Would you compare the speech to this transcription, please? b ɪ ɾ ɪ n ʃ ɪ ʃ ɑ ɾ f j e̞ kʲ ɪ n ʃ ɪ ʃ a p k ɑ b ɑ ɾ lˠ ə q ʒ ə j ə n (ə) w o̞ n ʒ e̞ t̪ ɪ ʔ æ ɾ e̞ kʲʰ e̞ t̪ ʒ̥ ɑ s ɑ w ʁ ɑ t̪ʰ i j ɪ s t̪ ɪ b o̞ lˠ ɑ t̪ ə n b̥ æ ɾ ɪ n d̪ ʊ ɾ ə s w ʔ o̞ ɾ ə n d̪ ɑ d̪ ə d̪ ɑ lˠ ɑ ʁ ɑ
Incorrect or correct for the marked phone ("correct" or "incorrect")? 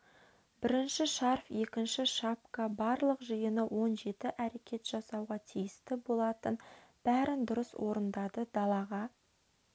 correct